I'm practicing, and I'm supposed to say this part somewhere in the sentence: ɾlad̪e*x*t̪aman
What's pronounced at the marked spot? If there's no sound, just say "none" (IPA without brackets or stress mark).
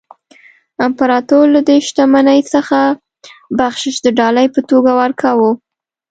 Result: ʃ